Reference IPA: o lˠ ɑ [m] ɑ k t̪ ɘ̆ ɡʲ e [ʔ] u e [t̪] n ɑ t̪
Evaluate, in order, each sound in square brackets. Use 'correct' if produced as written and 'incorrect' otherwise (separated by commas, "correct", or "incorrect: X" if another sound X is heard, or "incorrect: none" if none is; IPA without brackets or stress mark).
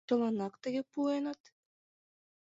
incorrect: n, incorrect: p, incorrect: none